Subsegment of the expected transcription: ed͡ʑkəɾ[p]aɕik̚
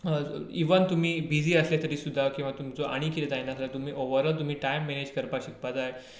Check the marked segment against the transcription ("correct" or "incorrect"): correct